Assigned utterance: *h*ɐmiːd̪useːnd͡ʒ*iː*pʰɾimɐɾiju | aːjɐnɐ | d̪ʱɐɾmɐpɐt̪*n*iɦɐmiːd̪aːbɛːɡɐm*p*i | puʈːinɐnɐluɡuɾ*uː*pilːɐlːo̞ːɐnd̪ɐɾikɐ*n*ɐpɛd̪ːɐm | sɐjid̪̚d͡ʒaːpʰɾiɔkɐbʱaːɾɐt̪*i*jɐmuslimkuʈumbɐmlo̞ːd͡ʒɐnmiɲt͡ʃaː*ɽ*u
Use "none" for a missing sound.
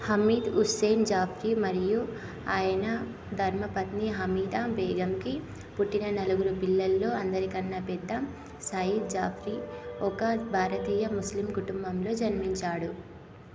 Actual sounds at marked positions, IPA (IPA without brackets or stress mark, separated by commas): h, aː, n, k, u, nː, iː, ɽ